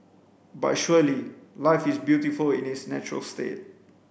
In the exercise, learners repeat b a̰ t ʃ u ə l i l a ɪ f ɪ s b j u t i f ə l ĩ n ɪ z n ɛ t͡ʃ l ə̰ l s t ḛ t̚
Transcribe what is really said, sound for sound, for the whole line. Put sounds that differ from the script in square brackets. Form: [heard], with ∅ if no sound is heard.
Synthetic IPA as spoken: b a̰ t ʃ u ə l i l a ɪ f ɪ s b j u t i f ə l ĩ n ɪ [s] n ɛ t͡ʃ [ɹ] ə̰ l s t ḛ t̚